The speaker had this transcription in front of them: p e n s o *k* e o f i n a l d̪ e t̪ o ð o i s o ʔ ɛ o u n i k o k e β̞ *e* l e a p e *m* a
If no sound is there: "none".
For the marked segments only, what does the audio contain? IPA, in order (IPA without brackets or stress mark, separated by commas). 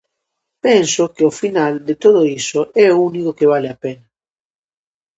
k, a, n